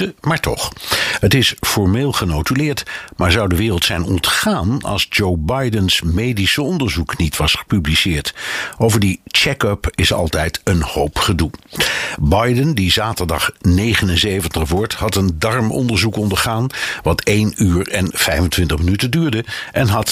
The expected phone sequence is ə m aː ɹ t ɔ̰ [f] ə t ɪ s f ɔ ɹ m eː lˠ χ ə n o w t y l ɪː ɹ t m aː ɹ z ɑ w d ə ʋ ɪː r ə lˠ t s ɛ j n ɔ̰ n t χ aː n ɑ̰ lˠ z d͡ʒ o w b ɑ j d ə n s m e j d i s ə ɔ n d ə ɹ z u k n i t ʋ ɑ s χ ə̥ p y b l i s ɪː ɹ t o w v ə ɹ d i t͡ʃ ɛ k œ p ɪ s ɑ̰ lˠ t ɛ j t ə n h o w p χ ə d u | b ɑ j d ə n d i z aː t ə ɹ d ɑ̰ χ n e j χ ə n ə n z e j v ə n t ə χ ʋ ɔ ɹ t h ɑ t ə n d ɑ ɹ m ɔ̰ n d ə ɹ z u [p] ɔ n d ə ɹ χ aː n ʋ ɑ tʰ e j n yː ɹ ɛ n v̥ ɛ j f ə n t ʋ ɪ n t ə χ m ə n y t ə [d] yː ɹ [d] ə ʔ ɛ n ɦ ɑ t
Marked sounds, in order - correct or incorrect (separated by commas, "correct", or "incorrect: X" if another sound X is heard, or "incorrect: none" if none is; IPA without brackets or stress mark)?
incorrect: χ, incorrect: k, correct, correct